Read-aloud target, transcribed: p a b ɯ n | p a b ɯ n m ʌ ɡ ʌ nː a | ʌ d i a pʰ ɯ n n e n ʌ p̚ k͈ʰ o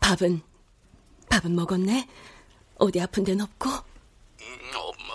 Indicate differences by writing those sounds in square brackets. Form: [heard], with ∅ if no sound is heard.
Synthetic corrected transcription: p a b ɯ n | p a b ɯ n m ʌ ɡ ʌ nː [e] | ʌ d i a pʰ ɯ n [d] e n ʌ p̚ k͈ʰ o